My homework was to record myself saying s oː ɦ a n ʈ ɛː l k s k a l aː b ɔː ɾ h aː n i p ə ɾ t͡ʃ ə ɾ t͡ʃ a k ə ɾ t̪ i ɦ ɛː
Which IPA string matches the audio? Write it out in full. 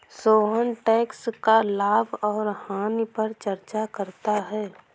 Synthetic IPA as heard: s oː ɦ ə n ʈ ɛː k s k a l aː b ɔː ɾ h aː n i p ə ɾ t͡ʃ ə ɾ t͡ʃ a k ə ɾ t̪ a ɦ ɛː